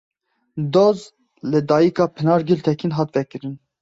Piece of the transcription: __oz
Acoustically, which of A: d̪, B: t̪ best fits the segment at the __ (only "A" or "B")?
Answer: A